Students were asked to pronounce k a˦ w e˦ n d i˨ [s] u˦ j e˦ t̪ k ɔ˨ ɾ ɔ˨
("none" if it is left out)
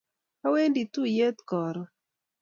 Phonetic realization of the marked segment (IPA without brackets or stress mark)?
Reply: t